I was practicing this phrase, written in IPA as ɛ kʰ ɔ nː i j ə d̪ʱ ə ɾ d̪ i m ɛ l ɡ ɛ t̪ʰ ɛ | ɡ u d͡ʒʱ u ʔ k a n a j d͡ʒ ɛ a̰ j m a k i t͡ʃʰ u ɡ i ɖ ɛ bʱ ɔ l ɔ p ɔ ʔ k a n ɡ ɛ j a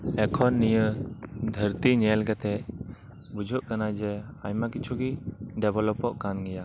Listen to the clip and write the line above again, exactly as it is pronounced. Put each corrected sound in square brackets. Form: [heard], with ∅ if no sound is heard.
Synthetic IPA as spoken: ɛ kʰ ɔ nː i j ə d̪ʱ ə ɾ [t̪] i [ɲ] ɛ l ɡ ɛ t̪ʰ ɛ | [b] u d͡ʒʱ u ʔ k a n a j d͡ʒ ɛ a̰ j m a k i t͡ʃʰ u ɡ i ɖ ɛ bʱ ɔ l ɔ p ɔ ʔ k a n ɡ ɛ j a